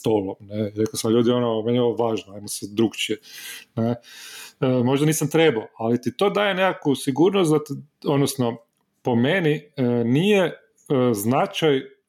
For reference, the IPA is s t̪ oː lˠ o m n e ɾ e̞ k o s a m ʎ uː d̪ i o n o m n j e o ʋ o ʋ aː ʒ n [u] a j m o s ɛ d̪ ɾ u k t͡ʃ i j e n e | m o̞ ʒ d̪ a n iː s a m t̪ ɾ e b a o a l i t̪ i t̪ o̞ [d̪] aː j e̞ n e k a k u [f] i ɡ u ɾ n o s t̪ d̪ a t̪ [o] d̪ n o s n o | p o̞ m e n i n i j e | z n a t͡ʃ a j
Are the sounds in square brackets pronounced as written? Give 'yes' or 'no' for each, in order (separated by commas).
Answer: no, yes, no, yes